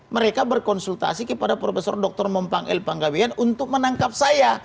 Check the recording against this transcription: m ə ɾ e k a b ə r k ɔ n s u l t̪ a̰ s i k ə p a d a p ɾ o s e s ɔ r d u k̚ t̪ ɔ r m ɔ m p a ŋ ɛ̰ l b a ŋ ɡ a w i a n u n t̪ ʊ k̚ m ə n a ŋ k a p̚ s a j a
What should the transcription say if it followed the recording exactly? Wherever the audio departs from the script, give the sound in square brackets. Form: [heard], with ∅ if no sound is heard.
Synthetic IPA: m ə ɾ e k a b ə r k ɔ n s u l t̪ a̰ s i k ə p a d a p ɾ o [f] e s ɔ r d [ɔ] k̚ t̪ ɔ r m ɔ m p a ŋ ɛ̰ l [p] a ŋ ɡ a w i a n u n t̪ ʊ k̚ m ə n a ŋ k a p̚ s a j a